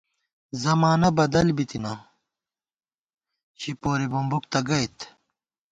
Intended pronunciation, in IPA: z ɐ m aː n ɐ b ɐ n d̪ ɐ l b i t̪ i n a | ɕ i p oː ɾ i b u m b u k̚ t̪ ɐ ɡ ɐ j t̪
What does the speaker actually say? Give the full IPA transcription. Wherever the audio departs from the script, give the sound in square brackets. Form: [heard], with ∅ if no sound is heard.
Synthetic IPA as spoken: z ɐ m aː n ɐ b ɐ [∅] d̪ ɐ l b i t̪ i n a | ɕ i p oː ɾ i b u m b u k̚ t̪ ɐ ɡ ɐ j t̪